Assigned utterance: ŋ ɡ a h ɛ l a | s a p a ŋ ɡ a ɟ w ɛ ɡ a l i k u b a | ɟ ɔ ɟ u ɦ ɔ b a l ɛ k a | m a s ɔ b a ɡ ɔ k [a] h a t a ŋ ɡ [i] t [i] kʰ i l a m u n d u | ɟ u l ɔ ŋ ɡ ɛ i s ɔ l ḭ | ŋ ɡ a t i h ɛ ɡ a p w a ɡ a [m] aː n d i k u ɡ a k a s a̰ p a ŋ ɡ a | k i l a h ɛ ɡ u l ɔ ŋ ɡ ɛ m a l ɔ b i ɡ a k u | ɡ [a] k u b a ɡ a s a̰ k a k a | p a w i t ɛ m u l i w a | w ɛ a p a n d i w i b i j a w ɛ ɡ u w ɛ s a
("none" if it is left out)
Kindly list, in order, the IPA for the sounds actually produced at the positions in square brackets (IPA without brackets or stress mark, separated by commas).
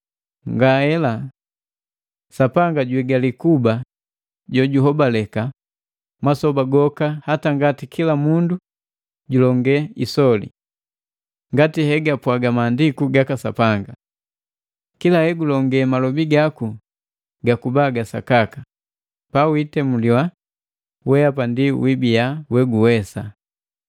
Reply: a, a, i, m, a